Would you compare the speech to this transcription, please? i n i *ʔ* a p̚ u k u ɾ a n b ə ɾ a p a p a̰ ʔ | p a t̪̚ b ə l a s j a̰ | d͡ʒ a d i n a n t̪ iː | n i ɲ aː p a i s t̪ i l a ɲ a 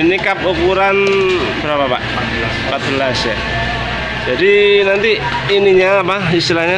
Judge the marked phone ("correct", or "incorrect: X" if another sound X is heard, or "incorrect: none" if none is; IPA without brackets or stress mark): incorrect: k